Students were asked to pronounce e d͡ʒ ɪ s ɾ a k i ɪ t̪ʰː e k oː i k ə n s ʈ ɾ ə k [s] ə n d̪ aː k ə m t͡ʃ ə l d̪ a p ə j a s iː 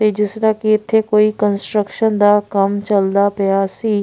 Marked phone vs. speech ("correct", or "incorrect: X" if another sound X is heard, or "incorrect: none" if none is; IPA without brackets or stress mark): incorrect: ʃ